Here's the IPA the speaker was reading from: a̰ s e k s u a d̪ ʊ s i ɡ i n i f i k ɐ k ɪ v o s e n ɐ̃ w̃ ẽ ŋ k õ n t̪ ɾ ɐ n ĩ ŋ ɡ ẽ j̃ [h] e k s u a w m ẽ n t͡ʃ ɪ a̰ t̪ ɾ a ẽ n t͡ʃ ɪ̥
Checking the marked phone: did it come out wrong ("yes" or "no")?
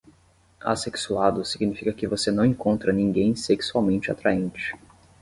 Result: yes